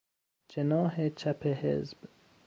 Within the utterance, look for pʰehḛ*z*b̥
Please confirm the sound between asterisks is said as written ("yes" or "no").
yes